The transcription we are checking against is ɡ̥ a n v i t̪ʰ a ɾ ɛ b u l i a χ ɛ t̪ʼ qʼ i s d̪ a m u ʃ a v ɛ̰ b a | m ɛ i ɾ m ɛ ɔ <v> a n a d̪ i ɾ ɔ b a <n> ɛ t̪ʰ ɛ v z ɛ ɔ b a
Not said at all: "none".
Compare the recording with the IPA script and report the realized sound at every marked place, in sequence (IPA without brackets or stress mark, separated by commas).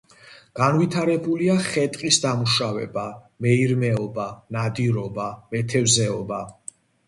b, m